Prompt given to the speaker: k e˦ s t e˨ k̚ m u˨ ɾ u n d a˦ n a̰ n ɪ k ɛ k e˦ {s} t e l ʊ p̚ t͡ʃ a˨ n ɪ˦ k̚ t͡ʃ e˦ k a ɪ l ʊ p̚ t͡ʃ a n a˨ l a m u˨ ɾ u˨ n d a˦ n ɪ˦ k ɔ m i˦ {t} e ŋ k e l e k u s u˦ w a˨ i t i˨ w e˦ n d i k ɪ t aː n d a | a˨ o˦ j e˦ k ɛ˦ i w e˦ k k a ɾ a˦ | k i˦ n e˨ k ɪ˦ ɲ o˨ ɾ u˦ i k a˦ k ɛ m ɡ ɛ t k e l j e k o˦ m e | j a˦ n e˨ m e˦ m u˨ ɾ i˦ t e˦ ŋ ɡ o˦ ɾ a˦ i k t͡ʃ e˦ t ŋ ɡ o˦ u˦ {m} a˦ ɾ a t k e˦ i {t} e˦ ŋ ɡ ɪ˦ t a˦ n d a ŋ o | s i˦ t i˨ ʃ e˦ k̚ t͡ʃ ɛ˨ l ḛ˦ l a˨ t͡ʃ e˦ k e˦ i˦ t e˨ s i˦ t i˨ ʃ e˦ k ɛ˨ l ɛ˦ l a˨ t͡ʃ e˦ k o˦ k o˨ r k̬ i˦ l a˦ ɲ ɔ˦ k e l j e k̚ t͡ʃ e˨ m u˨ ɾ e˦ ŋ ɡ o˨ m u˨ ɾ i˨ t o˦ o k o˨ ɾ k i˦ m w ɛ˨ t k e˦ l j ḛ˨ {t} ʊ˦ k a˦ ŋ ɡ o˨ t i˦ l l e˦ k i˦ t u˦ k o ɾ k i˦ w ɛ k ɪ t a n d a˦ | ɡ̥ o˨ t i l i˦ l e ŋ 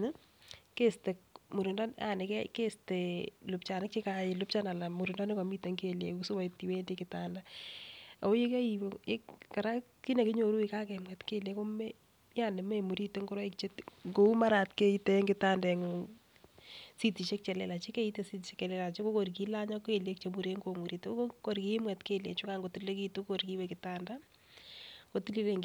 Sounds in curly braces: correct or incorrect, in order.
correct, correct, correct, correct, incorrect: t͡ʃ

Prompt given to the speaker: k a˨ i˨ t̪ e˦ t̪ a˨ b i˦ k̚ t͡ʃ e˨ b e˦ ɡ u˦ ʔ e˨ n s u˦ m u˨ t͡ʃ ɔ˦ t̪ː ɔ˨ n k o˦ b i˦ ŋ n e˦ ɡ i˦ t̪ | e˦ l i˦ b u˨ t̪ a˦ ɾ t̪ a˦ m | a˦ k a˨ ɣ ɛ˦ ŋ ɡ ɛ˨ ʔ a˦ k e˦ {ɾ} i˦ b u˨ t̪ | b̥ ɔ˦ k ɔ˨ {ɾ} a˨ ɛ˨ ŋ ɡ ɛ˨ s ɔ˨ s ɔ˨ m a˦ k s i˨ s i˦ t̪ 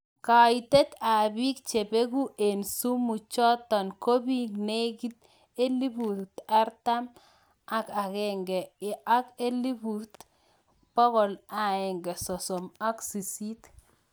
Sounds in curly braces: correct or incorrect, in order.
incorrect: l, incorrect: l

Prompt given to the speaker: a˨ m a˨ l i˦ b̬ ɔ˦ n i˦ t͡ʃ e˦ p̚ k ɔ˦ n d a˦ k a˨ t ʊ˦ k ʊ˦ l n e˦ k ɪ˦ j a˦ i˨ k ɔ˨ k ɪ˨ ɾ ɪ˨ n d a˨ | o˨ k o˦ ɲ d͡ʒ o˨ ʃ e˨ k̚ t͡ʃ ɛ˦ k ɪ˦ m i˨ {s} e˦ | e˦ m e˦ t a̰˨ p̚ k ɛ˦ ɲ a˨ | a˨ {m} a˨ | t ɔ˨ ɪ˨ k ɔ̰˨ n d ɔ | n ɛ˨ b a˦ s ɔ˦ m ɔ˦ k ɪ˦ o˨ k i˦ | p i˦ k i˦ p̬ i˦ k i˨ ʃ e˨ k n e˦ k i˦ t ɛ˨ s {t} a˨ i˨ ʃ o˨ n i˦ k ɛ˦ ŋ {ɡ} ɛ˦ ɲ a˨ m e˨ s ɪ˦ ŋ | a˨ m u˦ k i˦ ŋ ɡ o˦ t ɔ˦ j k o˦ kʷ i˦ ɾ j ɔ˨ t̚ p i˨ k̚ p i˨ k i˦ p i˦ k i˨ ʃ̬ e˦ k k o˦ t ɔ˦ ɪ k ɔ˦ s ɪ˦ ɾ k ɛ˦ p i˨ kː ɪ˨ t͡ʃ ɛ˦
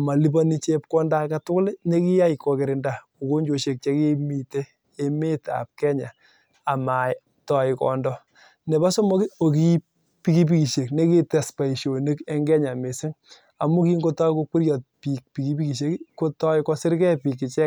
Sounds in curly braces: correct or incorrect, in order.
incorrect: t, correct, incorrect: p, correct

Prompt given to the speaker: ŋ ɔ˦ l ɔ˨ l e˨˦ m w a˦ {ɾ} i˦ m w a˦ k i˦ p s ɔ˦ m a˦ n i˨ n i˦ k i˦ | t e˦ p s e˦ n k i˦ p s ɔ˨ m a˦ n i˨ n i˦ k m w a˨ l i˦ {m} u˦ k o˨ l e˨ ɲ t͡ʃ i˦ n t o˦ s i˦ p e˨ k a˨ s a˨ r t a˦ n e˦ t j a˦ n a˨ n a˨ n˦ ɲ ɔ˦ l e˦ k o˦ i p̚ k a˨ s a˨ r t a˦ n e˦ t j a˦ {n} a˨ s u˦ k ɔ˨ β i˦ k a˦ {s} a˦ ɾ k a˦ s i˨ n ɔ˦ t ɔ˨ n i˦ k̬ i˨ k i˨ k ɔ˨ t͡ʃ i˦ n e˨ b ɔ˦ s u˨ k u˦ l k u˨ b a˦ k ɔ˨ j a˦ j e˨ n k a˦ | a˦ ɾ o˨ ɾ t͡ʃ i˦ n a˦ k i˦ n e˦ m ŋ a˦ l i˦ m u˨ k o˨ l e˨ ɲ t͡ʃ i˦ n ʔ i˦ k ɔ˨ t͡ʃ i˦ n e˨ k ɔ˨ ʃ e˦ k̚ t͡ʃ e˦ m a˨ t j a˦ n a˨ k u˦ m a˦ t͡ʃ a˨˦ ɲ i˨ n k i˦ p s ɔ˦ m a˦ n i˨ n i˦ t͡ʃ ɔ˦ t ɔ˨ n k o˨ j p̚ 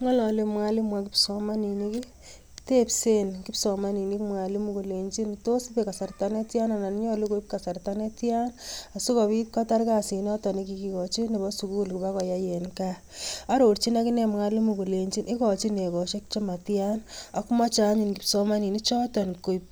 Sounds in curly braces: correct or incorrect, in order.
incorrect: l, correct, correct, incorrect: t

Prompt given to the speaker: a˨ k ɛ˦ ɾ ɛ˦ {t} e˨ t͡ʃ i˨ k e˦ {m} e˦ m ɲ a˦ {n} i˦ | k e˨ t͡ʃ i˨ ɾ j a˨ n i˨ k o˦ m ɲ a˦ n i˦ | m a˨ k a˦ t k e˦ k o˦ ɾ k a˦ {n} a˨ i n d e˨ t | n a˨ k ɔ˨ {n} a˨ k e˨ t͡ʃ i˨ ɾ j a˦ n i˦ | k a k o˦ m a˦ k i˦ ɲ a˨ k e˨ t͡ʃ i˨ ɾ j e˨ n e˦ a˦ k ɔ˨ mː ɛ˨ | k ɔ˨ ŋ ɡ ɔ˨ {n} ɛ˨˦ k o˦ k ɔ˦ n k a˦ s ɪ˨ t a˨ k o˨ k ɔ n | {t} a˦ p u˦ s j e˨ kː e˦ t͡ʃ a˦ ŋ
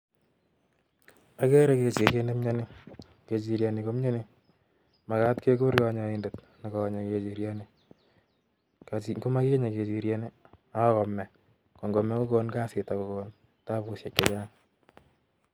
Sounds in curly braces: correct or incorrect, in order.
incorrect: k, incorrect: n, correct, incorrect: ɲ, incorrect: ɲ, incorrect: m, correct

